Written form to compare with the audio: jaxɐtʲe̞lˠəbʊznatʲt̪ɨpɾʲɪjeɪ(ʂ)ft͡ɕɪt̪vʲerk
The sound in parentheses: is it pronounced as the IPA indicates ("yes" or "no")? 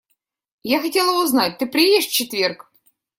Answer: yes